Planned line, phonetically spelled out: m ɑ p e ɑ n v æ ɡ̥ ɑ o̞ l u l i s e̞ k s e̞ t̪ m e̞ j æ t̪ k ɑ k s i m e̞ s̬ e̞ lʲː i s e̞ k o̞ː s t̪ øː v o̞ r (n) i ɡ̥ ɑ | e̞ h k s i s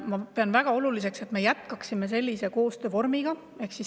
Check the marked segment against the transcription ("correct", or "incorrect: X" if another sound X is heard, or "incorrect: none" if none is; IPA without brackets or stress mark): incorrect: m